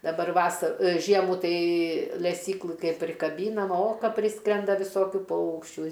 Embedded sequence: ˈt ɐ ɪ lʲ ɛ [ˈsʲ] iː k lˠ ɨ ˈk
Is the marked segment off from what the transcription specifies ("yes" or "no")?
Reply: no